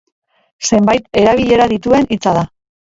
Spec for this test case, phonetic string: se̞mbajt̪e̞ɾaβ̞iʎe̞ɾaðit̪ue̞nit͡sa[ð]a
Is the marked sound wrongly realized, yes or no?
no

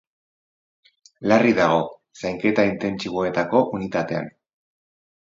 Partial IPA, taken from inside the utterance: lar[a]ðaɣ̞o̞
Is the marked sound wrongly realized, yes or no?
yes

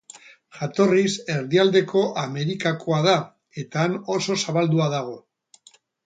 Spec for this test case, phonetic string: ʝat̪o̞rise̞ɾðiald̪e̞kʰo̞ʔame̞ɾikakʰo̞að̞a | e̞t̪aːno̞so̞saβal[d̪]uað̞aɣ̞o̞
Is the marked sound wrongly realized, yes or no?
no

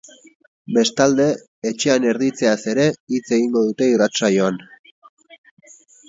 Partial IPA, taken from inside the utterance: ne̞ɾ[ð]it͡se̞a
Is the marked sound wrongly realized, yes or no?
no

